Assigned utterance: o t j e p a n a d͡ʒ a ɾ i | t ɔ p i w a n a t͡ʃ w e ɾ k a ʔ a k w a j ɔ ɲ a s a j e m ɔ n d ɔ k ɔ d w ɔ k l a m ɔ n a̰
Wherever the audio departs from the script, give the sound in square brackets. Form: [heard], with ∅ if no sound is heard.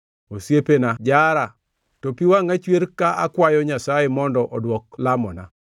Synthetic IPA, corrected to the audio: o [s] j e p [e] n a d͡ʒ a ɾ [a] | t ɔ p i w a [ŋ] a t͡ʃ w e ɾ k a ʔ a k w a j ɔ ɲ a s a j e m ɔ n d ɔ [ʔ] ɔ d w ɔ k l a m ɔ n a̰